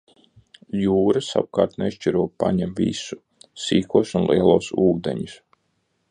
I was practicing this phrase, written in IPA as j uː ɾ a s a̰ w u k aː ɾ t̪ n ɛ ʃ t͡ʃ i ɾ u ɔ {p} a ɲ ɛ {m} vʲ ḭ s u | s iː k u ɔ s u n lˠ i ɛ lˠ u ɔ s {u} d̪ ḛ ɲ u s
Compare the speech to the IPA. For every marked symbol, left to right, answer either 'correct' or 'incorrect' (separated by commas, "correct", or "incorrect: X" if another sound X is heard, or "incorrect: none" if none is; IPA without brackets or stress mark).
correct, correct, incorrect: uː